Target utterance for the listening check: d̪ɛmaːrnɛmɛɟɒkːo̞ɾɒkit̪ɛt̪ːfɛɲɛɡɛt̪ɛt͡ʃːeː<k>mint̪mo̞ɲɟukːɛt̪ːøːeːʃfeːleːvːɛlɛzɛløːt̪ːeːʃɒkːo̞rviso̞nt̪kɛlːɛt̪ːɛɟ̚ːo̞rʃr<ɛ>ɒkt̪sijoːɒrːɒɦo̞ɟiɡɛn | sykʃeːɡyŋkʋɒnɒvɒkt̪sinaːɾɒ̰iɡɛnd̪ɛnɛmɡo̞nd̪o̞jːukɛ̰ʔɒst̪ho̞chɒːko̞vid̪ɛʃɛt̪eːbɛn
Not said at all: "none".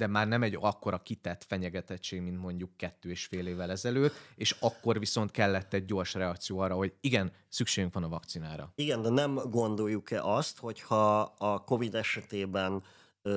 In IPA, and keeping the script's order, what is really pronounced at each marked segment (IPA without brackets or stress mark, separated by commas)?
ɡ, ɛ